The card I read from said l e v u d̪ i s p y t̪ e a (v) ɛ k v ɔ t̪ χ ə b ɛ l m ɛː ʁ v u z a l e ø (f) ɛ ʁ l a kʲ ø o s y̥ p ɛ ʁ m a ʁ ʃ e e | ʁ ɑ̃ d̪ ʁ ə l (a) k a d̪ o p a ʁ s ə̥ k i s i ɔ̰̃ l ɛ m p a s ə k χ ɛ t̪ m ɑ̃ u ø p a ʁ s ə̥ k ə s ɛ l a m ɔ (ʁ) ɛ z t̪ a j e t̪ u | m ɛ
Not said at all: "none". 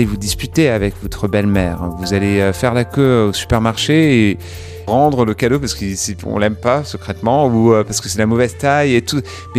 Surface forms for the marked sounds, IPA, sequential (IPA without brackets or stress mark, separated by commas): v, f, ə, v